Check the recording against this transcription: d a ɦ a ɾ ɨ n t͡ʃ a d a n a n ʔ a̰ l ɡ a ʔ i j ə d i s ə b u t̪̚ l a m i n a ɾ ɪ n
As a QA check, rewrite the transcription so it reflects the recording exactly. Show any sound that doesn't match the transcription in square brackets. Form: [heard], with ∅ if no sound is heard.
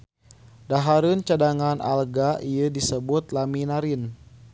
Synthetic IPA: d a ɦ a ɾ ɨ n t͡ʃ a d a [ŋ] a n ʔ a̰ l ɡ a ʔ i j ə d i s ə b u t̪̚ l a m i n a ɾ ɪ n